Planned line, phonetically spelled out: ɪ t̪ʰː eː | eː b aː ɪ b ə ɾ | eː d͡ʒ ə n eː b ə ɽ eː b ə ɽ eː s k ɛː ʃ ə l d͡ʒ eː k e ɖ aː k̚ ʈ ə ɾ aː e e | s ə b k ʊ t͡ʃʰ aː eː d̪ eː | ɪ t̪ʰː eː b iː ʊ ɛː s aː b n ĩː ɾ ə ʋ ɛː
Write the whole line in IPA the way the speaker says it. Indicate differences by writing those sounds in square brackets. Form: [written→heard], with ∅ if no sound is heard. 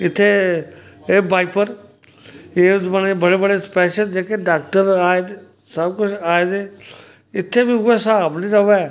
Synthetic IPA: ɪ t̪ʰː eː | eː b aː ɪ [b→p] ə ɾ | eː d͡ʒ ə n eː b ə ɽ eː b ə ɽ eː s [k→p] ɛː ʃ ə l d͡ʒ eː k e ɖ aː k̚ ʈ ə ɾ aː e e | s ə b k ʊ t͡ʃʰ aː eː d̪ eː | ɪ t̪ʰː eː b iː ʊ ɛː s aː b n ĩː ɾ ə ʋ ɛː